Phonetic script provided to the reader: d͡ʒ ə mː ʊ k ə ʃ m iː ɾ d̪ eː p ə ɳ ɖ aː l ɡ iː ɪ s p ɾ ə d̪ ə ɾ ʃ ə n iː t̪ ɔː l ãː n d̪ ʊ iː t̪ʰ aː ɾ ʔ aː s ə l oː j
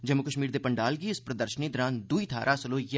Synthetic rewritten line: d͡ʒ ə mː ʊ k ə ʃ m iː ɾ d̪ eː p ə ɳ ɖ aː l ɡ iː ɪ s p ɾ ə d̪ ə ɾ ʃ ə n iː d̪ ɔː ɾ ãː n d̪ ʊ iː t̪ʰ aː ɾ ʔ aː s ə l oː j